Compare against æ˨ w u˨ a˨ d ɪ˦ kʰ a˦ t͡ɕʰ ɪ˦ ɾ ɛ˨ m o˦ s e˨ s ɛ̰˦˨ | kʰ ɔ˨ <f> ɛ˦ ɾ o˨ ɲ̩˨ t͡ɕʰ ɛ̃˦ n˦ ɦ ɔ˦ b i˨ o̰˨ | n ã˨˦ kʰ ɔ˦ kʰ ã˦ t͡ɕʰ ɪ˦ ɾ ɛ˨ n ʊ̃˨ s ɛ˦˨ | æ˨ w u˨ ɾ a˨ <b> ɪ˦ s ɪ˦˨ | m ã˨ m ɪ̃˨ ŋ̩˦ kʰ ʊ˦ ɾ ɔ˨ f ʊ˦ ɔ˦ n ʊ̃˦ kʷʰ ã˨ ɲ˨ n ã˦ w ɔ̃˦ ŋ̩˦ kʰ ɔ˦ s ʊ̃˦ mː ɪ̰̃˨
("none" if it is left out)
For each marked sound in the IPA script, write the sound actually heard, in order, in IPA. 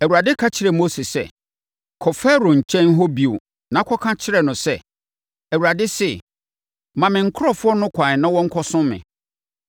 f, d

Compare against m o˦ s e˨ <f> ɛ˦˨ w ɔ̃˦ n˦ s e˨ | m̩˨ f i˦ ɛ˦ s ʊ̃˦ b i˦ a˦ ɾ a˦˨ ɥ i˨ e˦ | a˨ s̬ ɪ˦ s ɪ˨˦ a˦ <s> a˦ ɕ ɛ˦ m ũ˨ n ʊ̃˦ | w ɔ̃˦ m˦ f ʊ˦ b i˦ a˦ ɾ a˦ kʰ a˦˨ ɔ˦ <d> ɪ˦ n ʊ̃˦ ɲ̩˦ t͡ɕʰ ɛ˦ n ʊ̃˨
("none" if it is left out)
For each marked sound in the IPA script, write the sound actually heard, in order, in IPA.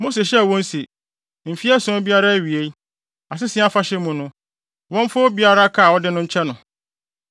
ɕ, f, d

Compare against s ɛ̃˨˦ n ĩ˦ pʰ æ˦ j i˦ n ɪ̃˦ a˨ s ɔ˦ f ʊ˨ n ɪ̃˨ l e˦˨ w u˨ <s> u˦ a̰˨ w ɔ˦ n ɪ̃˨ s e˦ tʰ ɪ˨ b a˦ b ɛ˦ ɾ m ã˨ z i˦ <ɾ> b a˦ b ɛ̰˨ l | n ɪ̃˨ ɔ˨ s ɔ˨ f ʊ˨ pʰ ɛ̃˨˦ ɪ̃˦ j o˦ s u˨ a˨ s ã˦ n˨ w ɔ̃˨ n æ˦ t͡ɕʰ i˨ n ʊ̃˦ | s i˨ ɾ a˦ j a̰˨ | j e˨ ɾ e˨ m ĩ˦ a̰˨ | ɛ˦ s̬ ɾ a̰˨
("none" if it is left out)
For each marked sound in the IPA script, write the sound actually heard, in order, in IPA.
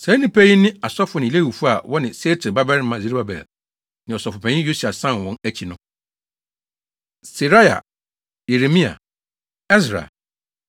f, ɾ

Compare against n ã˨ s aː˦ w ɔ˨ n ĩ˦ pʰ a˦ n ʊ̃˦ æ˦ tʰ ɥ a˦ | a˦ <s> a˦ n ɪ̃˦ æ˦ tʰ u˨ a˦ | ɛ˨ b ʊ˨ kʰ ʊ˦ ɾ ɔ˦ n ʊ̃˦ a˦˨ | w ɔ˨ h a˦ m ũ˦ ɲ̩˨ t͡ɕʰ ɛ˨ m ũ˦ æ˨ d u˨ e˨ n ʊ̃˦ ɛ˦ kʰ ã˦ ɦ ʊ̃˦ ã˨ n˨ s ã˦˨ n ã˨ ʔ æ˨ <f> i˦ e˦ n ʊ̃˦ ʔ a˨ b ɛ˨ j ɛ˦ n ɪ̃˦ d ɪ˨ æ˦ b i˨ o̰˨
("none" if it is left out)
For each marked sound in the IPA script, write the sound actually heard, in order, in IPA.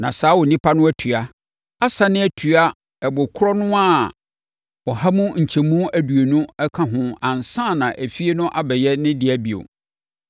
s, f

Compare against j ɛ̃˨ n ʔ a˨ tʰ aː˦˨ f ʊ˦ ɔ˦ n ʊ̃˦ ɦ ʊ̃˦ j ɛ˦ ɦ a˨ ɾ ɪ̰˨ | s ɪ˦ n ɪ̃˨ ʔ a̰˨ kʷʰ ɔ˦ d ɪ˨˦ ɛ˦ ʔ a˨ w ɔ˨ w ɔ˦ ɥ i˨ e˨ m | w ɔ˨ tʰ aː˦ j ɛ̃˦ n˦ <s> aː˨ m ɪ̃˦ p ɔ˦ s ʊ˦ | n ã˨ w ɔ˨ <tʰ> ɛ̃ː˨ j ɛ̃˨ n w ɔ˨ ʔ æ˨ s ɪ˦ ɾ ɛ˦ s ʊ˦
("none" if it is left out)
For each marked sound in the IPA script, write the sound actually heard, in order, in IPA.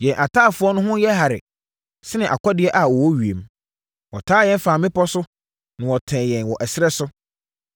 f, tʰ

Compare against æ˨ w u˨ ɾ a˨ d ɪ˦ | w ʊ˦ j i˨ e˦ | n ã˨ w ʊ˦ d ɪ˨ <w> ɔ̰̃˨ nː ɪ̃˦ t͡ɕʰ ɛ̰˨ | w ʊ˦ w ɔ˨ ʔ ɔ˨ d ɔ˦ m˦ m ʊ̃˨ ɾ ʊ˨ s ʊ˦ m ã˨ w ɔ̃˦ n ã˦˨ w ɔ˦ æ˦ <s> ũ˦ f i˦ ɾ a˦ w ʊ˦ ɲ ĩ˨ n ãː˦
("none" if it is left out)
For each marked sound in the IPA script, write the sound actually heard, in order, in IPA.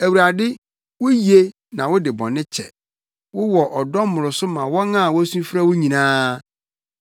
b, s

